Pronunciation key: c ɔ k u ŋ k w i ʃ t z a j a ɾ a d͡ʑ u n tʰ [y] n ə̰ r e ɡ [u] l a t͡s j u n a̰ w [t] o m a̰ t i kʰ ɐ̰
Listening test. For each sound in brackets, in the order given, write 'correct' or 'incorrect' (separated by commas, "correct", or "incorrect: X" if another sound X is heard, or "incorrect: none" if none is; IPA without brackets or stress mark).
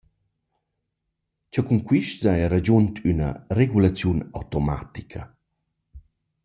correct, correct, correct